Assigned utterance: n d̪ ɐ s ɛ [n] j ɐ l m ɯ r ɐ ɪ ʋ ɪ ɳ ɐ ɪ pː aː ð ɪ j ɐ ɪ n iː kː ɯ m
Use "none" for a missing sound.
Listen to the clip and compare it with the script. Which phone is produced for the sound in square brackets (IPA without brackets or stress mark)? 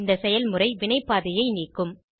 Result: none